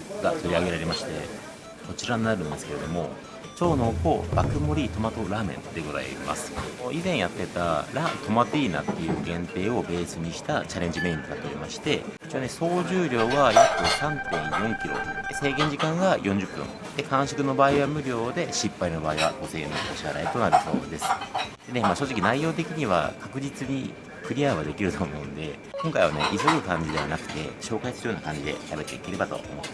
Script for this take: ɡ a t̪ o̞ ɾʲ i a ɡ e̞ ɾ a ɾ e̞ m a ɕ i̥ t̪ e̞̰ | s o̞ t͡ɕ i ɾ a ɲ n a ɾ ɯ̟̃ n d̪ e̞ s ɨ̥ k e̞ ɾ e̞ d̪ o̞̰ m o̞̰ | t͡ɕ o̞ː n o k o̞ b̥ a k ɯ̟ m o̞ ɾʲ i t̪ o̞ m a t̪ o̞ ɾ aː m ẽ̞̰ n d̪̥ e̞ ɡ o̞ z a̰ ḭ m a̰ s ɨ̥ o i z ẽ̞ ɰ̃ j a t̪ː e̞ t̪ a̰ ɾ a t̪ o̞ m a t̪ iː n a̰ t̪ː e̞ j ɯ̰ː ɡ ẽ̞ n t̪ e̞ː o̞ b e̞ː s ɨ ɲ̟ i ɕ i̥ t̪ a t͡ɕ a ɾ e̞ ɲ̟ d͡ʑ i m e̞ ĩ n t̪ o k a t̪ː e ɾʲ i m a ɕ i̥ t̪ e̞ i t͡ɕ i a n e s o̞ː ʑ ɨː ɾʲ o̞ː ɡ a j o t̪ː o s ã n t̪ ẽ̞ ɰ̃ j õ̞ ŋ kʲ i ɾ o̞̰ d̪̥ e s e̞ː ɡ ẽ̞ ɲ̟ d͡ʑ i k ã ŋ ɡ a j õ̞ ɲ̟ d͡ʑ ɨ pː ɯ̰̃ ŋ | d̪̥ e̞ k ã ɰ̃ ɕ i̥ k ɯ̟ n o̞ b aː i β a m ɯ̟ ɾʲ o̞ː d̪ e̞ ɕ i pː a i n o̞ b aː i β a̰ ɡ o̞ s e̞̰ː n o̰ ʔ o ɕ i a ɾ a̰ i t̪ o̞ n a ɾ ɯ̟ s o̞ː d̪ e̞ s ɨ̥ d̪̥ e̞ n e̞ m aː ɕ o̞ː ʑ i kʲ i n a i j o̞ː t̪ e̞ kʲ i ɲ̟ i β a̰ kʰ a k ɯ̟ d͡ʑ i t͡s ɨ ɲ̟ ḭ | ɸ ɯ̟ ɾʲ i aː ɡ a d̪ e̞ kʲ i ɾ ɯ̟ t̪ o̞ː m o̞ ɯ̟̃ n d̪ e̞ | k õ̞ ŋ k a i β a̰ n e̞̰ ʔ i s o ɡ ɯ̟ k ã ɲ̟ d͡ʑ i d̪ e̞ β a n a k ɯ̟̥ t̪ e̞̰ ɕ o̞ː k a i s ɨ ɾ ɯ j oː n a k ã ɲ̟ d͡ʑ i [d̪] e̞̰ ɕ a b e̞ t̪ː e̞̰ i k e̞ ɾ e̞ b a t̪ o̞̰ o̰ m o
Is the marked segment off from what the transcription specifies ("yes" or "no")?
no